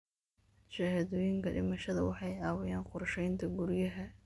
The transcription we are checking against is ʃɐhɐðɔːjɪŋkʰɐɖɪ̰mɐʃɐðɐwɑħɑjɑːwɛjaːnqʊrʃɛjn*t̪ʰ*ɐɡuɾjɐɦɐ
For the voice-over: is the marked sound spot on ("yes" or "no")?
yes